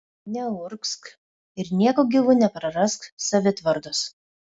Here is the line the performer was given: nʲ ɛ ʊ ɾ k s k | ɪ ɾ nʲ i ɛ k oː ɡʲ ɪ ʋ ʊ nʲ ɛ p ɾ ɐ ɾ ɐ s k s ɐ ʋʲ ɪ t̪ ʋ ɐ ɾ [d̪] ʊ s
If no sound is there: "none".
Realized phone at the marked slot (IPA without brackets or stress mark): d̪